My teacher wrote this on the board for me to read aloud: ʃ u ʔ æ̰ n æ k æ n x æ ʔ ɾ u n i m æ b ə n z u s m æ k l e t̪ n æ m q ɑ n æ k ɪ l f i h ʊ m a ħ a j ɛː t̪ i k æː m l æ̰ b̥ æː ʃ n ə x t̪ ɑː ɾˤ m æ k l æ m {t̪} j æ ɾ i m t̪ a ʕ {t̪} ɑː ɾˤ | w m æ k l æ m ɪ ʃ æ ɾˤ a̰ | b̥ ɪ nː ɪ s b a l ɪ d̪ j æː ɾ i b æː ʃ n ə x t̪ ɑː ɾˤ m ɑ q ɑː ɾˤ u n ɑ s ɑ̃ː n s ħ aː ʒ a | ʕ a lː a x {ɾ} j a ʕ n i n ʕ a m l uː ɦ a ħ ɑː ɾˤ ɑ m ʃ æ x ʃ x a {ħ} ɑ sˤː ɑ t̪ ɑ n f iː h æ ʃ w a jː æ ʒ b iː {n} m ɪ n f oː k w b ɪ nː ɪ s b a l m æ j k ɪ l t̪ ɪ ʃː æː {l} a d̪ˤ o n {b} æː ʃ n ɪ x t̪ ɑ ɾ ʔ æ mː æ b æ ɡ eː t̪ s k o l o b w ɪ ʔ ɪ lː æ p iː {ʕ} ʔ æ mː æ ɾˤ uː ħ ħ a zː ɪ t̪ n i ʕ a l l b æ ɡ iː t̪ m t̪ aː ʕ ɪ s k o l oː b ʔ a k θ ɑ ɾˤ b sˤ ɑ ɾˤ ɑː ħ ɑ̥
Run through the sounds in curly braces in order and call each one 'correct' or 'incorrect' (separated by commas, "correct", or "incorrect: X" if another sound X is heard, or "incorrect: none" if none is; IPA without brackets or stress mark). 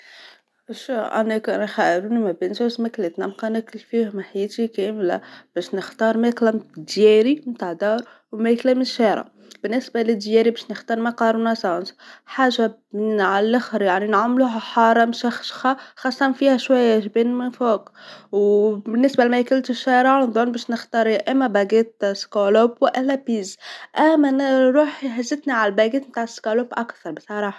incorrect: d̪, incorrect: d̪, correct, incorrect: x, correct, incorrect: ɾ, correct, incorrect: z